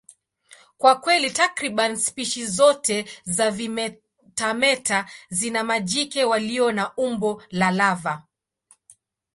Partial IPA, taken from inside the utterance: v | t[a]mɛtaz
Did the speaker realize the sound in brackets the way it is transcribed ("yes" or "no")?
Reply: yes